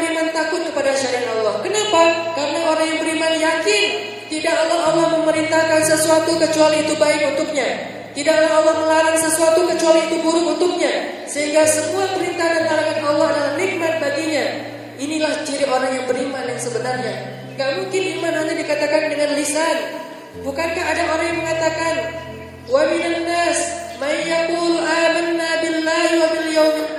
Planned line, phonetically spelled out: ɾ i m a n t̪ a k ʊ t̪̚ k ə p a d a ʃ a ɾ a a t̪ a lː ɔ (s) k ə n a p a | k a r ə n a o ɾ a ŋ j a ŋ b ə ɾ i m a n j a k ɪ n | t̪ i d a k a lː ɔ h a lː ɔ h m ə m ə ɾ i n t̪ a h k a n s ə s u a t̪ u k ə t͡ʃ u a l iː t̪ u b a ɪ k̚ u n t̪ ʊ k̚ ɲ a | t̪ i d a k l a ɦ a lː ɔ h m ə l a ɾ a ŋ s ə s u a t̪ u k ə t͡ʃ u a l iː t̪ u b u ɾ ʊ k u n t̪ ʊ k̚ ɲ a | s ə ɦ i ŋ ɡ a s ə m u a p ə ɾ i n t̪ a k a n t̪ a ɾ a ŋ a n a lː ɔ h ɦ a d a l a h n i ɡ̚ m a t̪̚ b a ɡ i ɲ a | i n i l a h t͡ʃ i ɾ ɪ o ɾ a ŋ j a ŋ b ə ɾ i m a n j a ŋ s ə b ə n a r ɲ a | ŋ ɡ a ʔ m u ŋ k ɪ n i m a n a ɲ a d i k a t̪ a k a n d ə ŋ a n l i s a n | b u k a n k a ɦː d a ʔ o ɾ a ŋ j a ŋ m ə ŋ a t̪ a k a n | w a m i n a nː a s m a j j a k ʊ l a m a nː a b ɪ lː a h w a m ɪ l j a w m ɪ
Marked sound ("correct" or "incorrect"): incorrect